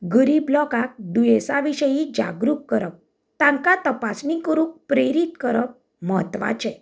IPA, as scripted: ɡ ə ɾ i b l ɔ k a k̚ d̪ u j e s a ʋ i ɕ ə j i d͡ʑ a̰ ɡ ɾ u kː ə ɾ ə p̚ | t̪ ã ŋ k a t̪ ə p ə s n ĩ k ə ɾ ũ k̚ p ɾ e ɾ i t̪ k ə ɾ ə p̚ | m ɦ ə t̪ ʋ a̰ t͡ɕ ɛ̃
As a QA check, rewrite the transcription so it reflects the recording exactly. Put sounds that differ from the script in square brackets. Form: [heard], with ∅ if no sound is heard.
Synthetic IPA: ɡ ə ɾ i b l ɔ k a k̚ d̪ u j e s a ʋ i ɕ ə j i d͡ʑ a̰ ɡ ɾ u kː ə ɾ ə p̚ | t̪ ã ŋ k a t̪ ə p [a] s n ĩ k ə ɾ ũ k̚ p ɾ e ɾ i t̪ k ə ɾ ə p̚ | m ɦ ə t̪ ʋ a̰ t͡ɕ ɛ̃